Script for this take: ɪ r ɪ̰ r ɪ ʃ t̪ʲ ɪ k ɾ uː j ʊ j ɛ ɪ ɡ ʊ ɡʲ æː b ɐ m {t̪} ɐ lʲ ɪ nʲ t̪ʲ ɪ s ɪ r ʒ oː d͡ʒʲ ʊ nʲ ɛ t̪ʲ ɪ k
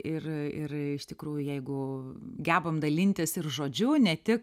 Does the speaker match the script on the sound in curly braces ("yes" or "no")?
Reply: no